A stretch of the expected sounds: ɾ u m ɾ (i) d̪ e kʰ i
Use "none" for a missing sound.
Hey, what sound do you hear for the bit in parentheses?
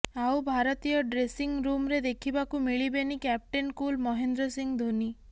e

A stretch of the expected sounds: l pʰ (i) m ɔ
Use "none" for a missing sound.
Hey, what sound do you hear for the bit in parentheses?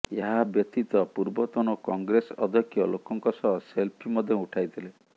i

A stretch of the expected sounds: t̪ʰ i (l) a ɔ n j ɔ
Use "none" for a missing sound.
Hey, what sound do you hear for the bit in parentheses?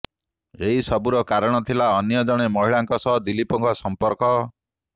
l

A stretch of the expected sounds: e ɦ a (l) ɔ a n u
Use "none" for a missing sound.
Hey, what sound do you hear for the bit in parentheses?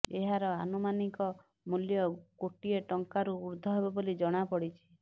ɾ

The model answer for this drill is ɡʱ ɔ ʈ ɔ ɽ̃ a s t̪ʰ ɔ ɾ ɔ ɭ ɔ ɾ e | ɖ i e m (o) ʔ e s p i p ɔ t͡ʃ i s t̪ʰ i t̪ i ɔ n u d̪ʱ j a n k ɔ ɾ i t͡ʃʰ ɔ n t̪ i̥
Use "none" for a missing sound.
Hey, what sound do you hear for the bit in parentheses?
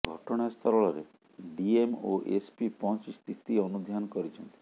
o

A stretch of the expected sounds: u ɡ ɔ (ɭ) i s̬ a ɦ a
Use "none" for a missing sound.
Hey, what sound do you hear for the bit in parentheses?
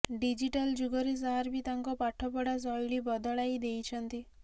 ɾ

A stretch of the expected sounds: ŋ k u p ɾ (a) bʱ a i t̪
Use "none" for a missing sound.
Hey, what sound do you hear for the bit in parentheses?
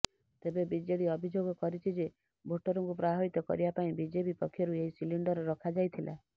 a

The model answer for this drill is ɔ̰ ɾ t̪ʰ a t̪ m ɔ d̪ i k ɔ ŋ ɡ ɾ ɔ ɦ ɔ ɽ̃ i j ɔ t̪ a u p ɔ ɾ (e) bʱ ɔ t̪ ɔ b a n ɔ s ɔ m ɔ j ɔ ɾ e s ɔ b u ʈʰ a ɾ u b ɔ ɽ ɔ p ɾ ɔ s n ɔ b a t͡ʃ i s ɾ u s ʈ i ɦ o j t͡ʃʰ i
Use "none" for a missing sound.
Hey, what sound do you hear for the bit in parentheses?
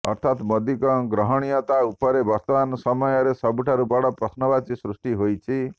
e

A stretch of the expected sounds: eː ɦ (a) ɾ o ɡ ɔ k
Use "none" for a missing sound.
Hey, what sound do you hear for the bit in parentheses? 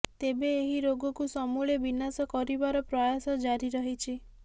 i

